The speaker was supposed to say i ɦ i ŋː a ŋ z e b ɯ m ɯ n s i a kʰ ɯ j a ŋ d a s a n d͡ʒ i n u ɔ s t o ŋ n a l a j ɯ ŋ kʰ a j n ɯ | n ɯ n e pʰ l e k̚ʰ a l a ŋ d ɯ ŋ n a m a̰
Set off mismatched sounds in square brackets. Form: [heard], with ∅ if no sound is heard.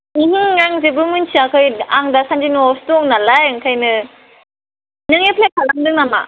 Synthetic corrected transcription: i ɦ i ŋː a ŋ z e b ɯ m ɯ n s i a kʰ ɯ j a ŋ d a s a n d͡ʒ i n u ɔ s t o ŋ n a l a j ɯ ŋ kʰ a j n ɯ | n ɯ [ŋ] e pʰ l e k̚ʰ a l a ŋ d ɯ ŋ n a m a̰